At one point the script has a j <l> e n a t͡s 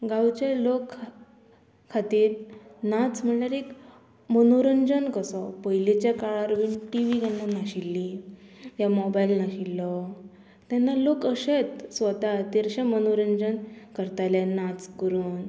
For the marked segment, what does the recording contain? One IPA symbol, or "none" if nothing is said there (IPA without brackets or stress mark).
l